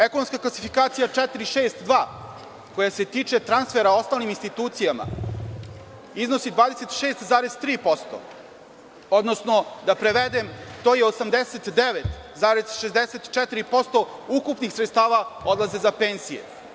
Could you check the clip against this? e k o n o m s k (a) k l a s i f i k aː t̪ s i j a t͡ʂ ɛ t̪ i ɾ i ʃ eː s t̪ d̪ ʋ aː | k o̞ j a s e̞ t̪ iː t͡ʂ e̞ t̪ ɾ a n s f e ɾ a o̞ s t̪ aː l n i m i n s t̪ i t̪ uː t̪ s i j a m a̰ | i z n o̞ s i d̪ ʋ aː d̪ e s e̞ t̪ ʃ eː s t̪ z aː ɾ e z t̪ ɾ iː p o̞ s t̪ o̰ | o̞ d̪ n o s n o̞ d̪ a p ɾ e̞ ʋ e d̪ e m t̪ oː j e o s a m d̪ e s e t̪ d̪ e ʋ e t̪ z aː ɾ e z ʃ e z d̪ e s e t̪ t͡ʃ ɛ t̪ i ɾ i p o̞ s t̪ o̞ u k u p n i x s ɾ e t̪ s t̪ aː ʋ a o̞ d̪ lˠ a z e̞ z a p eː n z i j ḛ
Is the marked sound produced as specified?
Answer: yes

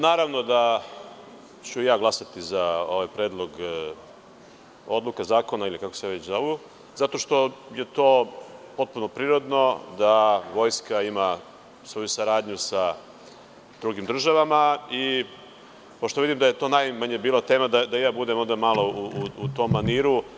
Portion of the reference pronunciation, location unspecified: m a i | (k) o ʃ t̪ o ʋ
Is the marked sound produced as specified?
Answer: no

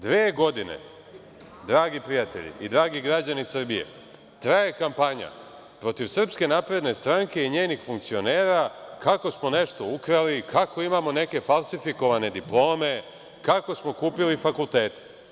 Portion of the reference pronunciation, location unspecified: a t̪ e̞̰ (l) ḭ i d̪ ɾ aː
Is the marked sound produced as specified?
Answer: no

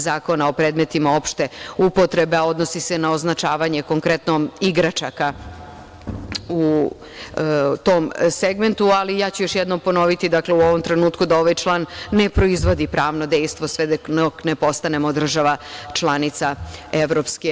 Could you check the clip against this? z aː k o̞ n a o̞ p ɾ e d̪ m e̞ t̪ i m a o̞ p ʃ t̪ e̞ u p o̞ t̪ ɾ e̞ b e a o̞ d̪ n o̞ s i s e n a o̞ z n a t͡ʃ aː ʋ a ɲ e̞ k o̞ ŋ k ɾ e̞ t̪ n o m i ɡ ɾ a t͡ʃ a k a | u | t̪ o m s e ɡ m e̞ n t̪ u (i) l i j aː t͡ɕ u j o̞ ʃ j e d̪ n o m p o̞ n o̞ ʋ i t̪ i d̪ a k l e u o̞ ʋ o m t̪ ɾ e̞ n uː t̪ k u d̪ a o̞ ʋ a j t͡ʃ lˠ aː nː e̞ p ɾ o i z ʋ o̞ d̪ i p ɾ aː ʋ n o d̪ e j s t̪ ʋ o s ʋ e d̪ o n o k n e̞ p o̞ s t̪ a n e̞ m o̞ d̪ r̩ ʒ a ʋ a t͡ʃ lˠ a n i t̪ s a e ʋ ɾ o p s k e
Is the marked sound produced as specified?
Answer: no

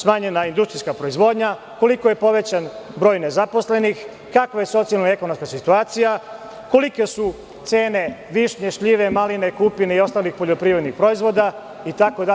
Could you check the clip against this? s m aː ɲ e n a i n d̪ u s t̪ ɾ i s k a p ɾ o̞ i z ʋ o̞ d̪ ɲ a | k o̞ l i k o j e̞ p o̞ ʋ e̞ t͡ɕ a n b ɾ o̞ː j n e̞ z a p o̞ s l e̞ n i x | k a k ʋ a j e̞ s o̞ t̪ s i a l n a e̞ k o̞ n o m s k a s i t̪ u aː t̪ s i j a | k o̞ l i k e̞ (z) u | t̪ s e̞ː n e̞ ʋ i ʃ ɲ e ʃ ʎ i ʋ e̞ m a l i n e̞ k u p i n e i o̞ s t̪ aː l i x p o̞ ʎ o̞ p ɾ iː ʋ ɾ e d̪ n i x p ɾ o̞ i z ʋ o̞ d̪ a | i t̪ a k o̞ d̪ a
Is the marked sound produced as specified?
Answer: no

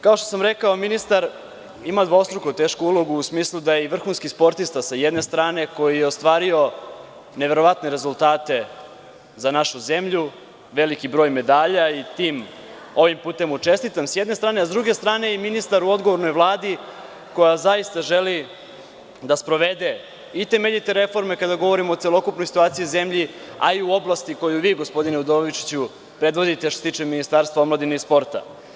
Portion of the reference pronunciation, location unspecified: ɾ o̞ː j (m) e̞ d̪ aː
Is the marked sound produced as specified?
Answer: yes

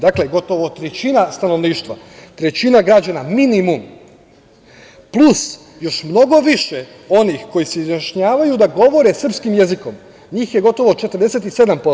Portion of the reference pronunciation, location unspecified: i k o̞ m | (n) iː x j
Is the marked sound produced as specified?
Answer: no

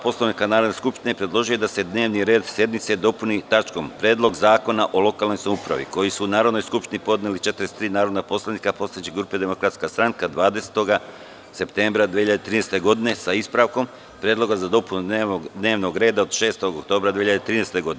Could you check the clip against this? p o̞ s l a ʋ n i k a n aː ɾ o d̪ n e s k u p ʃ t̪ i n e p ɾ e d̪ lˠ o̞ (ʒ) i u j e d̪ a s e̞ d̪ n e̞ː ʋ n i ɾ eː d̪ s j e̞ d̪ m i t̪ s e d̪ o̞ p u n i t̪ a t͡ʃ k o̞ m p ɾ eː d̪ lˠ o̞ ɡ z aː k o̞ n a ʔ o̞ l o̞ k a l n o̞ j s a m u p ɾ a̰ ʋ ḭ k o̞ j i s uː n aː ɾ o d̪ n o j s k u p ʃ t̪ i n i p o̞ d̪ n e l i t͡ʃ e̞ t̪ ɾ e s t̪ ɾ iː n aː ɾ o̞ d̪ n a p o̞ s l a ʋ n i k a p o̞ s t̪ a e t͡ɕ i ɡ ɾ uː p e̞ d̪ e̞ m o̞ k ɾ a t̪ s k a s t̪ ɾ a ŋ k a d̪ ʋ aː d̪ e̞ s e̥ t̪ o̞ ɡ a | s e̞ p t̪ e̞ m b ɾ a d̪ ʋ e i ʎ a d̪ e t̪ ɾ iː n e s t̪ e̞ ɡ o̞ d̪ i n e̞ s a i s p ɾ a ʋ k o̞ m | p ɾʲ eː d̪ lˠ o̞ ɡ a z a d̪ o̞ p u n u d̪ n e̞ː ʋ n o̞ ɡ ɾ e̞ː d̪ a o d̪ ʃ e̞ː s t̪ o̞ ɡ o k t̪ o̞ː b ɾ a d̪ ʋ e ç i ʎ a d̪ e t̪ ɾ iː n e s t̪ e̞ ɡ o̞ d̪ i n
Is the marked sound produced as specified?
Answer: yes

